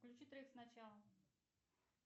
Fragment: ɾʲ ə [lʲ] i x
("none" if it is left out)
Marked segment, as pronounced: none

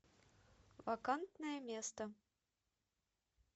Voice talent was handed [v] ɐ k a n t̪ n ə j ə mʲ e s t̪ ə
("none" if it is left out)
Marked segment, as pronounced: v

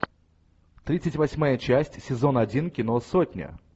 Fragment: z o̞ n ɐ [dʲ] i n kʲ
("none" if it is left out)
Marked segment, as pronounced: dʲ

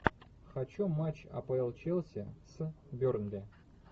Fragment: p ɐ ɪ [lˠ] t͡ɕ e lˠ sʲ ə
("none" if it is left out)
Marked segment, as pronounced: lˠ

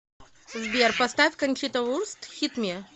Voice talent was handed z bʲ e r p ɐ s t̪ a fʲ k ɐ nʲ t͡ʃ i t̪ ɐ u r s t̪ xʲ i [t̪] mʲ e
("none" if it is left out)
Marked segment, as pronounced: t̪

